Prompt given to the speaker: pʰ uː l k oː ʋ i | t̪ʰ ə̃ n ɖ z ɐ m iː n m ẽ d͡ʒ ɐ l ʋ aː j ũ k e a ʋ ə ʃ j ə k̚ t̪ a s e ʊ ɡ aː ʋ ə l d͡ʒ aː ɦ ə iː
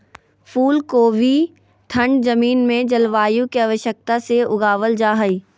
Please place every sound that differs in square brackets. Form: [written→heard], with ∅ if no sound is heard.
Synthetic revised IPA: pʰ uː l k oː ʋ i | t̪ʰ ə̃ [n→ɳ] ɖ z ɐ m iː n m ẽ d͡ʒ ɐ l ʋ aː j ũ k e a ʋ ə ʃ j ə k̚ t̪ a s e ʊ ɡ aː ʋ ə l d͡ʒ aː ɦ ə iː